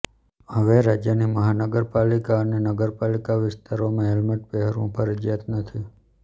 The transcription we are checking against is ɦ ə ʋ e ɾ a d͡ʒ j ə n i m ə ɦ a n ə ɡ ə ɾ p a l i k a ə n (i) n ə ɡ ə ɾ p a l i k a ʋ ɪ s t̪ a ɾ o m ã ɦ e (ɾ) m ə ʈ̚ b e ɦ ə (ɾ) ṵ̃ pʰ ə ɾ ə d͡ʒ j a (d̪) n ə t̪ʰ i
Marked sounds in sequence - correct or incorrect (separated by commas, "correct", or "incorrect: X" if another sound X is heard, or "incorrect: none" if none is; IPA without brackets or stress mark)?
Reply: incorrect: e, incorrect: l, correct, incorrect: t̪